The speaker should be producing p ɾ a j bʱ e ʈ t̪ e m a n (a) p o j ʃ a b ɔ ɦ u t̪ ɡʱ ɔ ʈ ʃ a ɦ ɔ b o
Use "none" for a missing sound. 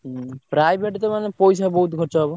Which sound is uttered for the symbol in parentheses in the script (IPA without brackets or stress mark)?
e